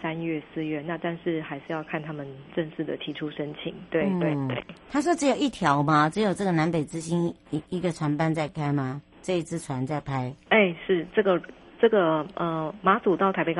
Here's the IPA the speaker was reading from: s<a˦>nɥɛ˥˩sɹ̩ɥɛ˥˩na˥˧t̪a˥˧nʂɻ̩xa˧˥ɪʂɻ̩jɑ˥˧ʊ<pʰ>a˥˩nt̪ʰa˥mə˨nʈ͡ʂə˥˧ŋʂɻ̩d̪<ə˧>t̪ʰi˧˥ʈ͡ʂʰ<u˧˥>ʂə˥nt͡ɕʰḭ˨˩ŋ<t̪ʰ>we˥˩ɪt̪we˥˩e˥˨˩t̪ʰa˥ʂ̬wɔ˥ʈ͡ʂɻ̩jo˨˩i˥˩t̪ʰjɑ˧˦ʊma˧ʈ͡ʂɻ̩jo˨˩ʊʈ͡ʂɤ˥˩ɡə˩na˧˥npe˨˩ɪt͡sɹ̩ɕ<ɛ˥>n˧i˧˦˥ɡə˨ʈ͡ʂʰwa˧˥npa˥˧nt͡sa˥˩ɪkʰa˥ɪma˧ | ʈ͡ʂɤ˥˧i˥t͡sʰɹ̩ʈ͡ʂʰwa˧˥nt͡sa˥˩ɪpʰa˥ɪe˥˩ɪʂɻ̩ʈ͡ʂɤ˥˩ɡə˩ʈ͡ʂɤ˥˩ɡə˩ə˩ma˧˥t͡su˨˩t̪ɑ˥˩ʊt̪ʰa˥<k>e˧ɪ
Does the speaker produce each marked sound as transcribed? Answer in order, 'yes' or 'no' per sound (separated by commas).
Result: yes, no, no, no, no, no, no